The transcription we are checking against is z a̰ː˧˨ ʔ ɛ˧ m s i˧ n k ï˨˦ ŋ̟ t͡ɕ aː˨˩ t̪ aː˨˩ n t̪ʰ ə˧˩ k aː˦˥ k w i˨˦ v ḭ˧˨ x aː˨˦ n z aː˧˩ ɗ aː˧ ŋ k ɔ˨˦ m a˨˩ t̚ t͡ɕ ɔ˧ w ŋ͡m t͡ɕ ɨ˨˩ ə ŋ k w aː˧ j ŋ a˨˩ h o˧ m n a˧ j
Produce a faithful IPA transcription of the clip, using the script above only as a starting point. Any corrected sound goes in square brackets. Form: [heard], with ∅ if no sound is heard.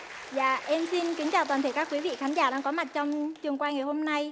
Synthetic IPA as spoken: z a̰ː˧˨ ʔ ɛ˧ m s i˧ n k ï˨˦ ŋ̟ t͡ɕ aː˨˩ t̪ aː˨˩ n t̪ʰ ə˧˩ k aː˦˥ k w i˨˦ v ḭ˧˨ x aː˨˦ n z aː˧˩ ɗ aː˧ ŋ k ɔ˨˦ m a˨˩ t̚ t͡ɕ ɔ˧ w ŋ͡m t͡ɕ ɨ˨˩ ə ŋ k w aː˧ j ŋ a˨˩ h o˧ m n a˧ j